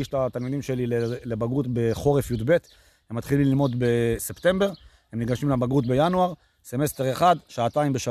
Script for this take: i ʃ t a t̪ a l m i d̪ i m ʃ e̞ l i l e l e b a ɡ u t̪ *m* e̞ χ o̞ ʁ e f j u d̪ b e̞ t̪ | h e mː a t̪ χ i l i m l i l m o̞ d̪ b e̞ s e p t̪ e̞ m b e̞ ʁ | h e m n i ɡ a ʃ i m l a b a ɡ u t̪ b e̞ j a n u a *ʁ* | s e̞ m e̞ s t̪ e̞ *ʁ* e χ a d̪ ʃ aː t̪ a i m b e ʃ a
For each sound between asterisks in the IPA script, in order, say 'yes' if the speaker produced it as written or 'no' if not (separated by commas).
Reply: no, yes, yes